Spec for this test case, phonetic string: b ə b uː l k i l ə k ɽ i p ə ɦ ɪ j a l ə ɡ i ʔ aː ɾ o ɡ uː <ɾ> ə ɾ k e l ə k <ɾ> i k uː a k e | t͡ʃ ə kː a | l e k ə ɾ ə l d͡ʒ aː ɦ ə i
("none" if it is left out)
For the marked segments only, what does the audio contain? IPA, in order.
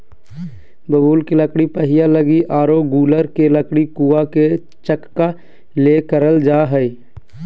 l, ɽ

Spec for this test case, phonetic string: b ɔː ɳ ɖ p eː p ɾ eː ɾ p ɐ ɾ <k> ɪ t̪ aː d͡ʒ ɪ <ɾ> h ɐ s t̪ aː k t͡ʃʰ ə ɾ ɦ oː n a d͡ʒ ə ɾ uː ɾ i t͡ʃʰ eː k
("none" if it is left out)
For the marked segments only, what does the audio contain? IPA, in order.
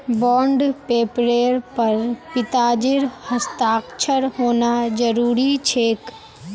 p, ɾ

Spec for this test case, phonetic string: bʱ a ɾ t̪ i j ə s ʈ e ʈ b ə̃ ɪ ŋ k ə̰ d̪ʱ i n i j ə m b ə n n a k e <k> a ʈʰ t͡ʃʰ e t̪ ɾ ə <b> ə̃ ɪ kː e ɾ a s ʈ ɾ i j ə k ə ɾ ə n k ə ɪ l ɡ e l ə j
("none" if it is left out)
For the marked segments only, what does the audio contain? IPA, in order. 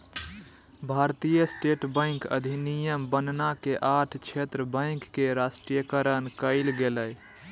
ʔ, b

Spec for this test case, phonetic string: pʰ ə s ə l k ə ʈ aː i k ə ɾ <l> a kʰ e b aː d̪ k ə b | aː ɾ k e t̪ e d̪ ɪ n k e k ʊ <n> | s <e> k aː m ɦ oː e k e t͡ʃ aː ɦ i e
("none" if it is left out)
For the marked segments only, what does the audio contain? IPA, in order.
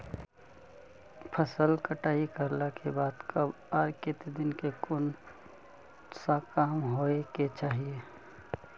l, n, a

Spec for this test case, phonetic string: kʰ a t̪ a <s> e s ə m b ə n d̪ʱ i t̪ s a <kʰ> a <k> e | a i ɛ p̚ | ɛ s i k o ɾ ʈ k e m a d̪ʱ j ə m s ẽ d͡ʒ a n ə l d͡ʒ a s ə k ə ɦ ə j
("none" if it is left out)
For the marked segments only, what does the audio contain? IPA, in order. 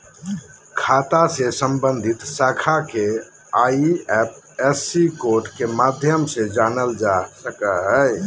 s, kʰ, k

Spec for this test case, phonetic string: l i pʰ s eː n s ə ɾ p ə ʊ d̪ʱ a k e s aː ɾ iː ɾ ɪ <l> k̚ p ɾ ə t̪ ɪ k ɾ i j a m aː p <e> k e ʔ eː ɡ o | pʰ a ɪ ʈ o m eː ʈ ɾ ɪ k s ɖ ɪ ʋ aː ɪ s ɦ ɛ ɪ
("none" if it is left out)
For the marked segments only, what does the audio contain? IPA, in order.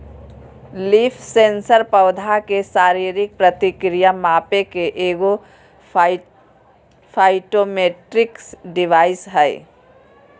none, e

